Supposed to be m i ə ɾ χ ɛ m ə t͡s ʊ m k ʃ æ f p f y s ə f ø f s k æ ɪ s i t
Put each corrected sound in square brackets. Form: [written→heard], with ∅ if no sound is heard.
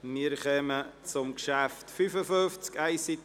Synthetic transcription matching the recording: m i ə ɾ χ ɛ m ə t͡s ʊ m k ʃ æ f [p→t] f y [s→f] ə f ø f [s→t͡s] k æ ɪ s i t